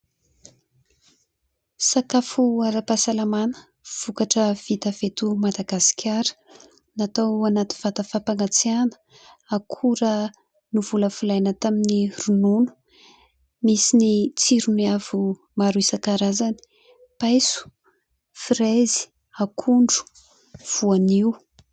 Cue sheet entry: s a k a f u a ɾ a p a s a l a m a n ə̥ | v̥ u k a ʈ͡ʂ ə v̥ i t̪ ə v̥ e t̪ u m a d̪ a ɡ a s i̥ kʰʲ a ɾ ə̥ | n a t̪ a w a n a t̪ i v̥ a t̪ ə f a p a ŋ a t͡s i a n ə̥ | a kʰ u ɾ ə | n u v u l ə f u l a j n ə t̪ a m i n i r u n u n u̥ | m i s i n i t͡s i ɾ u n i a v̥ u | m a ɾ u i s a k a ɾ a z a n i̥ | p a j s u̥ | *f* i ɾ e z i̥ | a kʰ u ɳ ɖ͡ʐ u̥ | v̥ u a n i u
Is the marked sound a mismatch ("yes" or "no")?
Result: no